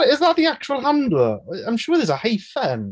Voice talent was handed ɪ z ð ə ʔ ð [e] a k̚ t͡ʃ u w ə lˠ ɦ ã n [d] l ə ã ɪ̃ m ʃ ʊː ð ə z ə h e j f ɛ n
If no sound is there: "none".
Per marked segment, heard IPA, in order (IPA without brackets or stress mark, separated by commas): i, d